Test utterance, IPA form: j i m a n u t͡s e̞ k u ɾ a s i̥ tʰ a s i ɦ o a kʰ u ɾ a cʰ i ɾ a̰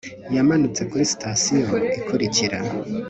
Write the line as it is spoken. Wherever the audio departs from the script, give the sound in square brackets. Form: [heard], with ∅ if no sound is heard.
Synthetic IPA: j [a] m a n u t͡s e̞ k u ɾ [i] s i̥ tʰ a s i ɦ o [i] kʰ u ɾ [i] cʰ i ɾ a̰